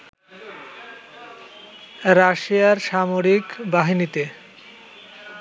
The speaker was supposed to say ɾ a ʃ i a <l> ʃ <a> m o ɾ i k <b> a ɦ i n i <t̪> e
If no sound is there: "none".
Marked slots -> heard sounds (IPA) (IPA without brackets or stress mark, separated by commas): ɾ, a, b, t̪